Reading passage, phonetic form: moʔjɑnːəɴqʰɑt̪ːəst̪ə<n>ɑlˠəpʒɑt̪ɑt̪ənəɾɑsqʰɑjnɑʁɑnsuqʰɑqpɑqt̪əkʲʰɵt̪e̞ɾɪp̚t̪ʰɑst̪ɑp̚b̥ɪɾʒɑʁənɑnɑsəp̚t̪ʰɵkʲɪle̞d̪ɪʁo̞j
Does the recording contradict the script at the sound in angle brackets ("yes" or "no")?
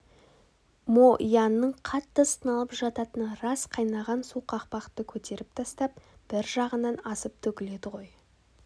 no